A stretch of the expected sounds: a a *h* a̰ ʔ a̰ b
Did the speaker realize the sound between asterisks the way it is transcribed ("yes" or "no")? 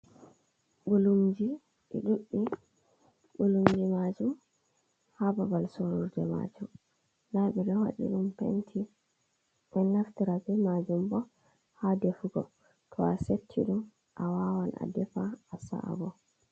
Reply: no